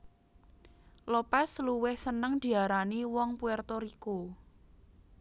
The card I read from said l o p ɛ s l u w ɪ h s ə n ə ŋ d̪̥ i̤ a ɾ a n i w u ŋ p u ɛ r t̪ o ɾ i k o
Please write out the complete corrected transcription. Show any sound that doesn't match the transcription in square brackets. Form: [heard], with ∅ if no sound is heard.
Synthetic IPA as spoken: l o p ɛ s l u w ɪ h s ə n ə ŋ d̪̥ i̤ a ɾ a n i w [ɔ] ŋ p u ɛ r t̪ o ɾ i k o